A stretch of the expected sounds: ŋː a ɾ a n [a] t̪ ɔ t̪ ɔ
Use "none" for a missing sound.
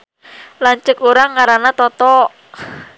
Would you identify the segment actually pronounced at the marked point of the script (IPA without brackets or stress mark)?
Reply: a